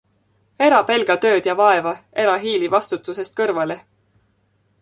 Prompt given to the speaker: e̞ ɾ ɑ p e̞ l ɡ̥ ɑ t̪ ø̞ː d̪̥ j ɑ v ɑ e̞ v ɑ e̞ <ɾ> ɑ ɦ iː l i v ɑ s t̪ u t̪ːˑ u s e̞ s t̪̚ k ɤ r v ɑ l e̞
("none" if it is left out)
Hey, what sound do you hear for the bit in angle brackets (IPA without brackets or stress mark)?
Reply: ɾ